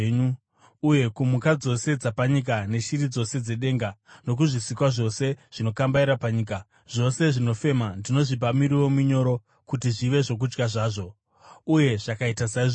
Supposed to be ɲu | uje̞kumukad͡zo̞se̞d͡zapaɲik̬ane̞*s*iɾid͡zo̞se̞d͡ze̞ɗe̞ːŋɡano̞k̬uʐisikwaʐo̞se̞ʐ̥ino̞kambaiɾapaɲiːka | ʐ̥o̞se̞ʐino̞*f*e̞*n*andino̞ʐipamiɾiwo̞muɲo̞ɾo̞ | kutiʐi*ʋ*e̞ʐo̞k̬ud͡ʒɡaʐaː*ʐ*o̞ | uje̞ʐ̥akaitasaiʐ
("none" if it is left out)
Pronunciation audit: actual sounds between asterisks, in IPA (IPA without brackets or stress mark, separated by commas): ʃ, f, m, ʋ, ʐ